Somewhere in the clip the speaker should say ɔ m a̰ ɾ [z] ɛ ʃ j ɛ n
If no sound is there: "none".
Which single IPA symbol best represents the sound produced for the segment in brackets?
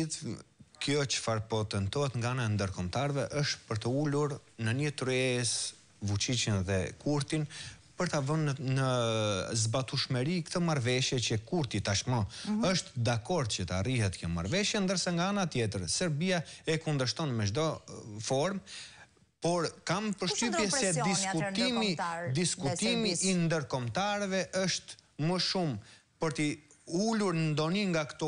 v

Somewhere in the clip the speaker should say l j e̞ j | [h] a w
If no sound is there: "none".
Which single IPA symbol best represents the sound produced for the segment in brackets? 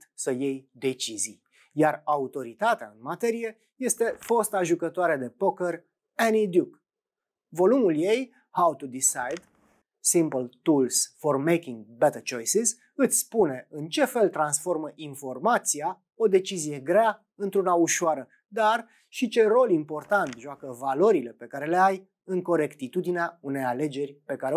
h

